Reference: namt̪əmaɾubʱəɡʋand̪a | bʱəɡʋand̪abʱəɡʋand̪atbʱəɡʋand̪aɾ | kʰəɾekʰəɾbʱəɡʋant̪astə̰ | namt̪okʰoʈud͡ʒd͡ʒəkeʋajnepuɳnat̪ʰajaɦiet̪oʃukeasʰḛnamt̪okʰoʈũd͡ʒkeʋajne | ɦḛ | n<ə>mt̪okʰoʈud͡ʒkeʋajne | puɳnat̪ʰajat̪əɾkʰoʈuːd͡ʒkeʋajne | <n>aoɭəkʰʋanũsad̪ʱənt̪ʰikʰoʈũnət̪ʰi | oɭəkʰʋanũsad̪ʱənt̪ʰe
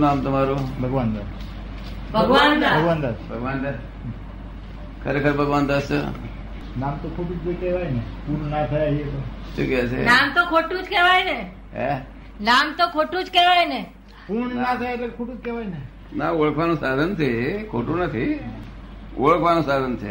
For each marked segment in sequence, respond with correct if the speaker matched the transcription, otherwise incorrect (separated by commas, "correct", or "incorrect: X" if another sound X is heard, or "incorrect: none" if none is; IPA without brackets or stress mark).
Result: incorrect: a, correct